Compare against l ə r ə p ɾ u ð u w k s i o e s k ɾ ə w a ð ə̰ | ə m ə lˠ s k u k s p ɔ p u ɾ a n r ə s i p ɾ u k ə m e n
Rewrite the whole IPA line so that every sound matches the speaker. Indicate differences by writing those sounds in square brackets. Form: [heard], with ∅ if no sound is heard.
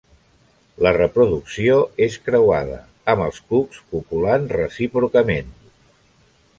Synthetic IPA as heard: l ə r ə p ɾ u ð u [∅] k s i o e s k ɾ ə w a ð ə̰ | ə m ə lˠ s k u k s p [u] p u [l] a n r ə s i p ɾ u k ə m e n

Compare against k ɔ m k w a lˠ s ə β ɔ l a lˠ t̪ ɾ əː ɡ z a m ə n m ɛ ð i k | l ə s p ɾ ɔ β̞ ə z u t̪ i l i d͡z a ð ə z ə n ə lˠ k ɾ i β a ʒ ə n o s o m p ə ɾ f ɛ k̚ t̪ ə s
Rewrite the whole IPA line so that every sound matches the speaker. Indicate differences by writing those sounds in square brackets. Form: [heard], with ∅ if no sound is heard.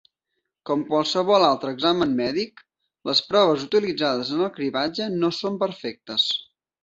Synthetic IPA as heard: k ɔ m k w a lˠ s ə β ɔ l a lˠ t̪ ɾ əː ɡ z a m ə n m ɛ ð i k | l ə s p ɾ ɔ β̞ ə z u t̪ i l i d͡z a ð ə z ə n ə lˠ k ɾ i β a [d͡ʒ] ə n o s o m p ə ɾ f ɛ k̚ t̪ ə s

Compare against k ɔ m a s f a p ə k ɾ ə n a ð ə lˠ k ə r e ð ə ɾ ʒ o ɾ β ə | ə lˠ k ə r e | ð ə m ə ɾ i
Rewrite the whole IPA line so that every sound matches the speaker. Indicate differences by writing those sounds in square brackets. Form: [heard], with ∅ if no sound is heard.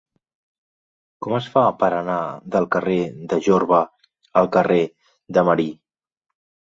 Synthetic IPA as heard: k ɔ m [ə] s f a p ə [∅] ɾ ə n a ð ə lˠ k ə r e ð ə [∅] ʒ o ɾ β ə | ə lˠ k ə r e | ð ə m ə ɾ i

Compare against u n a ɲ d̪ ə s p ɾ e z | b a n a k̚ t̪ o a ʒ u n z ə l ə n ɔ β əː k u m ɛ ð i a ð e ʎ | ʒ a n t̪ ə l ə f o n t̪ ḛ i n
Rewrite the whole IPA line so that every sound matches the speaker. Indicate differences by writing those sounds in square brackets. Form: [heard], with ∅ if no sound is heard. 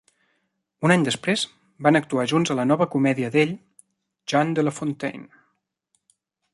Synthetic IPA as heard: u n a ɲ d̪ ə s p ɾ e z | b a n [ə] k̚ t̪ [u] a ʒ u n z ə l ə n ɔ β [ə] k u m ɛ ð i [ə] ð e ʎ | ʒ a n [d̪] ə l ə f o n t̪ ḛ [j] n

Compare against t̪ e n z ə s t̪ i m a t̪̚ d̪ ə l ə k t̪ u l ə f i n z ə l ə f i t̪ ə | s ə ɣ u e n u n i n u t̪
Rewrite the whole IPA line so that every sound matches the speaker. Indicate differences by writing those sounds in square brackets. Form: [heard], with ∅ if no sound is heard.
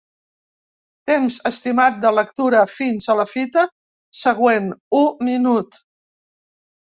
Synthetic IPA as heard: t̪ e [m] z ə s t̪ i m a t̪̚ d̪ ə l ə k t̪ u [ɾ] ə f i n z ə l ə f i t̪ ə | s ə ɣ [w] e n u [m] i n u t̪

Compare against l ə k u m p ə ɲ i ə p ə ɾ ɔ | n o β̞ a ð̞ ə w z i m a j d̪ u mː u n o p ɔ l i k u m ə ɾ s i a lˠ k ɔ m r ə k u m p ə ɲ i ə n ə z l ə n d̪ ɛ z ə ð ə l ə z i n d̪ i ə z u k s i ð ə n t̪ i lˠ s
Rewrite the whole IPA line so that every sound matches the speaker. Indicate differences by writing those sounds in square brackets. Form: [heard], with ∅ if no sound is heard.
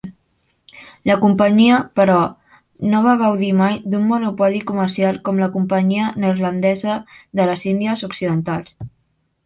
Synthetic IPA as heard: l ə k u m p ə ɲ i ə p ə ɾ ɔ | n o β̞ a [ɣ̞] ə w [ð] i m a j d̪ u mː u n [u] p ɔ l i k u m ə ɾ s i a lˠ k ɔ m [l] ə k u m p ə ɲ i ə n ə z l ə n d̪ ɛ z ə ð ə l ə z i n d̪ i ə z u k s i ð ə n t̪ [a] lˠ s

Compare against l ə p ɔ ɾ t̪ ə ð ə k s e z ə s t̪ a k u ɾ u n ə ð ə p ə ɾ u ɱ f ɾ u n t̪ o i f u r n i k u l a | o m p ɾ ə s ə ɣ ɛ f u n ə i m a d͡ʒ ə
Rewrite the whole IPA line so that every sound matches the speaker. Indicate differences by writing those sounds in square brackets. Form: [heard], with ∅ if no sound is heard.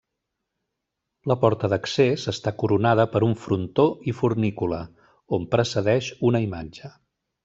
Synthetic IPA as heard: l ə p ɔ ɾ t̪ ə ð ə k s e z ə s t̪ a k u ɾ u n [a] ð ə p ə ɾ u ɱ f ɾ u n t̪ o i f u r n i k u l [ə] | o m p ɾ ə s ə [ð] ɛ [ʃ] u n ə i m a d͡ʒ ə

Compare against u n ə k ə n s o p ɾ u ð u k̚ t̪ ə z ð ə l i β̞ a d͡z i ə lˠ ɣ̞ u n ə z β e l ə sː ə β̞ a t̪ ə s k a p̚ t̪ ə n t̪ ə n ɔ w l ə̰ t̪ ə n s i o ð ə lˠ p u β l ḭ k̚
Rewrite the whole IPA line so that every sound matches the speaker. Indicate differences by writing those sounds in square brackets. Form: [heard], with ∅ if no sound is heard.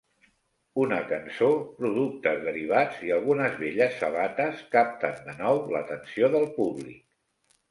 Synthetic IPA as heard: u n ə k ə n s o p ɾ u ð u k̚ t̪ ə z ð ə [ɾ] i β̞ a d͡z i ə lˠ ɣ̞ u n ə z β e [ʎ] ə sː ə β̞ a t̪ ə s k a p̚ t̪ ə n [d̪] ə n ɔ w l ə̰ t̪ ə n s i o ð ə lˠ p u β l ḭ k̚

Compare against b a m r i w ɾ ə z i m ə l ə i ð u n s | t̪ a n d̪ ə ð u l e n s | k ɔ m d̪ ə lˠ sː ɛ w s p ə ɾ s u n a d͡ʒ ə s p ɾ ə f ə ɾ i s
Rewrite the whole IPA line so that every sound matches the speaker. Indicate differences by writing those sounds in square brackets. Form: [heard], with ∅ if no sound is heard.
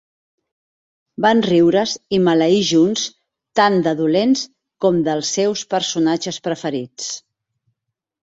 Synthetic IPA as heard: b a [n] r i w ɾ ə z i m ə l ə i [ʒ] u n s | t̪ a n d̪ ə ð u l e n s | k ɔ m d̪ ə lˠ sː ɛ w s p ə ɾ s u n a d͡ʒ ə s p ɾ ə f ə ɾ i [t͡s]

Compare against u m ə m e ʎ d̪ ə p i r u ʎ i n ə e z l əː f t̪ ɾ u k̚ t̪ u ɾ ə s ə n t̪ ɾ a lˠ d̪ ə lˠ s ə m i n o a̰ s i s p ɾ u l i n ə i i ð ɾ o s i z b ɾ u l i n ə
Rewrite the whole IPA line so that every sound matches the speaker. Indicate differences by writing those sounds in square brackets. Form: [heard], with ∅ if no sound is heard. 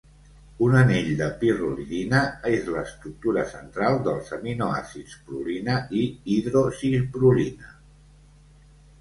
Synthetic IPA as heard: u [n] ə [n] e ʎ d̪ ə p i r u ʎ i n ə e z l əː [s] t̪ ɾ u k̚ t̪ u ɾ ə s ə n t̪ ɾ a lˠ d̪ ə lˠ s ə m i n o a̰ s i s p ɾ u l i n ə i i ð ɾ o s i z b ɾ u l i n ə

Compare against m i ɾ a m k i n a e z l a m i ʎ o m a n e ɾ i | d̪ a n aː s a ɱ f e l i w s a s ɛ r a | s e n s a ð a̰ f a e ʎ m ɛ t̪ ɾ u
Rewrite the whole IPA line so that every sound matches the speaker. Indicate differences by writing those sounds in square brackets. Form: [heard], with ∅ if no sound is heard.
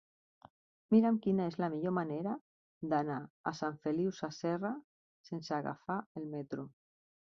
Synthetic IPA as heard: m i ɾ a m k i n a e z l a m i ʎ o m a n e ɾ [a] | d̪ a n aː s a ɱ f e l i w s a s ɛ r a | s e n s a [ɣ] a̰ f a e [l] m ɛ t̪ ɾ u

